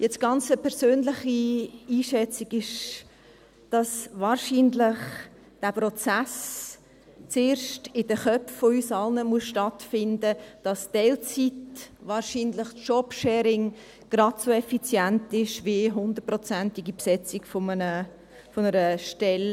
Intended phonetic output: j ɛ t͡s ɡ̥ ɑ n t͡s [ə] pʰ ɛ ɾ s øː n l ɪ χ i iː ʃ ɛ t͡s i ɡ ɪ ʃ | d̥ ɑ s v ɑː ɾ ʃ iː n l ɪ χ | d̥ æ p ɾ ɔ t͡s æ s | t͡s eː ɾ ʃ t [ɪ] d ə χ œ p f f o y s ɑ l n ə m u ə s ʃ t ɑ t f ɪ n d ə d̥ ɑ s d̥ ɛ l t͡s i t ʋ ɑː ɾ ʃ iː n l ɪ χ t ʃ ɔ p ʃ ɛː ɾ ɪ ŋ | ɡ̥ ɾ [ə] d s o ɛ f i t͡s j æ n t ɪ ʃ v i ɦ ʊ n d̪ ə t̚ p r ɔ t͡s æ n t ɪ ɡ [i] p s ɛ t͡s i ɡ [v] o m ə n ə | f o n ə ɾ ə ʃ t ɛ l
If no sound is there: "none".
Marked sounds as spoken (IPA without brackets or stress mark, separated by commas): ə, ɪ, ɑ, i, f